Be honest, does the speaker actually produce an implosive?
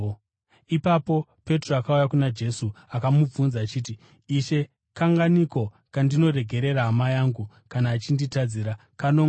no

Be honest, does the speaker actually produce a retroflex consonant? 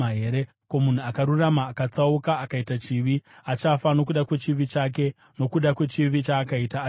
no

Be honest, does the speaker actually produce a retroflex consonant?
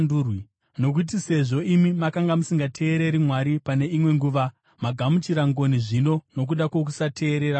yes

